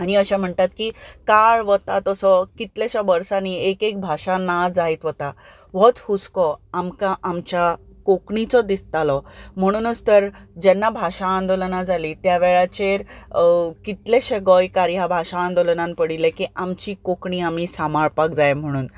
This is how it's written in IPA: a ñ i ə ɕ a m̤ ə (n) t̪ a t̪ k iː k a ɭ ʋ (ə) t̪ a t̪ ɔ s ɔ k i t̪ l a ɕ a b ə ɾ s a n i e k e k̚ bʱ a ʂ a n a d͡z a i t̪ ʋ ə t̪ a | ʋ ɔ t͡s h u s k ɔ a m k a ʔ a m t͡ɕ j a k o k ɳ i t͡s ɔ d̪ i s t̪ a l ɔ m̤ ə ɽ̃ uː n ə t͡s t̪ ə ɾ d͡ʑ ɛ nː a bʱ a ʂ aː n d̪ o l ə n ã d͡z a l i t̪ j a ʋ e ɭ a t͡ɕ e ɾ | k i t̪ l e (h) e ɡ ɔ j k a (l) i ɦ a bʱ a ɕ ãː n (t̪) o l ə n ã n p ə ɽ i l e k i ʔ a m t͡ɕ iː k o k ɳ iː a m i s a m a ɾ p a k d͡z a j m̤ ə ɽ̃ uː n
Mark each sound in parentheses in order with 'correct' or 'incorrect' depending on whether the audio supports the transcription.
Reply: incorrect, correct, incorrect, incorrect, incorrect

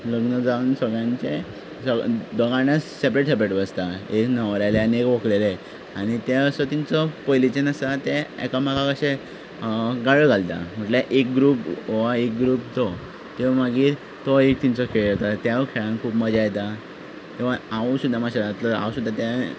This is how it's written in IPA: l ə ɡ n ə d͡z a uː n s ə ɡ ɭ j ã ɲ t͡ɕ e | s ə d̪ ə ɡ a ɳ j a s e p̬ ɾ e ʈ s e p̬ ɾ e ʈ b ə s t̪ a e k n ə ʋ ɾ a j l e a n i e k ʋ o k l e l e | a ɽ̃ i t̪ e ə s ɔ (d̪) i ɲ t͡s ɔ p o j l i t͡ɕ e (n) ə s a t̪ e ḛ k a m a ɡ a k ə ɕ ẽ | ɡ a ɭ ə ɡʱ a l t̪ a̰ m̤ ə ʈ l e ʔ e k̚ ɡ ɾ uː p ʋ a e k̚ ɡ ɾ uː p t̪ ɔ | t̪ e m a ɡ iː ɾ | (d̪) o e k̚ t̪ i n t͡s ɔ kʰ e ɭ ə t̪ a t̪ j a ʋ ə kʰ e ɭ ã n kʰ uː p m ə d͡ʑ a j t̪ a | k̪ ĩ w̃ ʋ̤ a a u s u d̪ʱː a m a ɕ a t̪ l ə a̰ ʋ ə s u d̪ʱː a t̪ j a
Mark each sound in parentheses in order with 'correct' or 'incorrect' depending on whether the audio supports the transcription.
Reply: incorrect, correct, incorrect

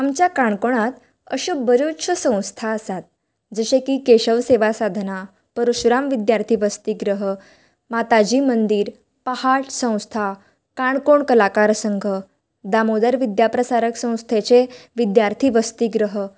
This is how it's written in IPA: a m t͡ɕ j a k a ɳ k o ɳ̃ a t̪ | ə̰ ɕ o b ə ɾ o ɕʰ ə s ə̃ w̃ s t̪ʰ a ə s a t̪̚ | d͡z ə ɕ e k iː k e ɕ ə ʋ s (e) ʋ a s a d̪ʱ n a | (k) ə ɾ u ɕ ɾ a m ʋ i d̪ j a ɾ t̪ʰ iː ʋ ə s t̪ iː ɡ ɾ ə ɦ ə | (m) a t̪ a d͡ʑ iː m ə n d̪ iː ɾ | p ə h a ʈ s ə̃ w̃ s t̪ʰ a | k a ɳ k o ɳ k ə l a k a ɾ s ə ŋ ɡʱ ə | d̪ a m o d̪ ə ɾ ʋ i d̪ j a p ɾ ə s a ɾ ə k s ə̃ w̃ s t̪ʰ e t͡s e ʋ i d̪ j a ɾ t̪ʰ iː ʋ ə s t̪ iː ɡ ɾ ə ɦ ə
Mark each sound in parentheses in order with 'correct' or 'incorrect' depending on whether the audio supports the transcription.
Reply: correct, incorrect, correct

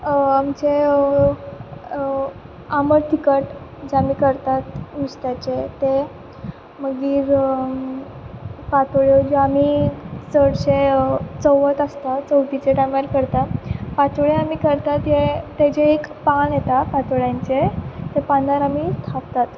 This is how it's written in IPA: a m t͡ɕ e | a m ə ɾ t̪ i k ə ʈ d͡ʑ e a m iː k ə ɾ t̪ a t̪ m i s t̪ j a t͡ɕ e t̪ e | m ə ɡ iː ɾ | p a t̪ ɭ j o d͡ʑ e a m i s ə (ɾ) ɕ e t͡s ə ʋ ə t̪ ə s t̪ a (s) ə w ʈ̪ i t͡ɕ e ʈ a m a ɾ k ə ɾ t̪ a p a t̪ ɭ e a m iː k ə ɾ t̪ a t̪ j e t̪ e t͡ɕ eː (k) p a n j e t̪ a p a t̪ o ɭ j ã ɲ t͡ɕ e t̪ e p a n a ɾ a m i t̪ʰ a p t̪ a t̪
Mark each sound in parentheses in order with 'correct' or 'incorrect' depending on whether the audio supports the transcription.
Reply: incorrect, incorrect, correct

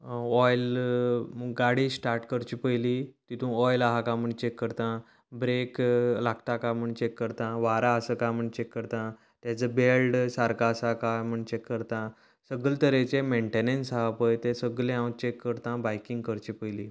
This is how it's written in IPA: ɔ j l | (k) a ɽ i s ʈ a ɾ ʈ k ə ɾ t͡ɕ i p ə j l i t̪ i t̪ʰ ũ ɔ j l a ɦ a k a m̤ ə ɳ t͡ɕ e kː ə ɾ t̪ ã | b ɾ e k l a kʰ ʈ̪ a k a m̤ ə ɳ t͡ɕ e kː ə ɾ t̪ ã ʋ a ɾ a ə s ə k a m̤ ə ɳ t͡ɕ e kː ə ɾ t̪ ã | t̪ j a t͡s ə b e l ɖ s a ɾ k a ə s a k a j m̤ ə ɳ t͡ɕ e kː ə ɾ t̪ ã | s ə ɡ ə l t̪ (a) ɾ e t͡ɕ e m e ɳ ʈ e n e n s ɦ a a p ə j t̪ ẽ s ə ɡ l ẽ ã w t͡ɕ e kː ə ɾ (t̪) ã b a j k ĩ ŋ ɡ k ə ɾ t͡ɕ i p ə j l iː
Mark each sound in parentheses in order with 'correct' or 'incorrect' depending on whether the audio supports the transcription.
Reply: incorrect, incorrect, correct

